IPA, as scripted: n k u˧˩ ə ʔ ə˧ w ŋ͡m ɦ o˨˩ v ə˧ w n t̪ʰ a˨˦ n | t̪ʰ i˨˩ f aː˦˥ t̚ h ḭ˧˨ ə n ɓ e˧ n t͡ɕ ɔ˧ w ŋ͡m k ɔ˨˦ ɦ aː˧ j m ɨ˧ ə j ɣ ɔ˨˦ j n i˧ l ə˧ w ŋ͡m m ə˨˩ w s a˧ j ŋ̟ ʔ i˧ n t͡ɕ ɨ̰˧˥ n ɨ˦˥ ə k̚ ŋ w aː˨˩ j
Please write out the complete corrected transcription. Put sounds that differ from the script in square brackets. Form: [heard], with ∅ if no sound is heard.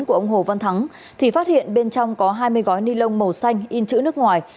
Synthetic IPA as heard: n k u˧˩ ə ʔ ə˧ w ŋ͡m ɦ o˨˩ v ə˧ [∅] n t̪ʰ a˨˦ [ŋ] | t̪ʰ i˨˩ f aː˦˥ t̚ h ḭ˧˨ ə n ɓ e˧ n t͡ɕ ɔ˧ w ŋ͡m k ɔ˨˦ ɦ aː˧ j m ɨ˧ ə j ɣ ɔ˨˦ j n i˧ l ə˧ w ŋ͡m m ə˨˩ w s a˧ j ŋ̟ ʔ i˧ n t͡ɕ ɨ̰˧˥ n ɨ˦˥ ə k̚ ŋ w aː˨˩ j